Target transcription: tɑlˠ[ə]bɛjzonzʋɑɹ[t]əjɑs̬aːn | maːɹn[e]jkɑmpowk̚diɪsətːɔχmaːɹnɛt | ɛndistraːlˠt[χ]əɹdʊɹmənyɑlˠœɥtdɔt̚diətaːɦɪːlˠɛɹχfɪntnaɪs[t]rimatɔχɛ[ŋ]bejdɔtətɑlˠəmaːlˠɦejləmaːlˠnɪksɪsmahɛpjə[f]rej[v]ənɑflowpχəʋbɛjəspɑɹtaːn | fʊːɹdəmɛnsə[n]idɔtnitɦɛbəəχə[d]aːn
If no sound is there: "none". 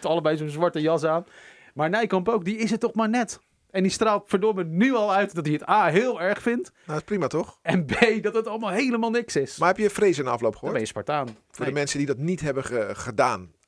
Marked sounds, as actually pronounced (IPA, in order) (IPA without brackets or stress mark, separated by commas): ə, t, ɛ, f, p, n, f, z, d, d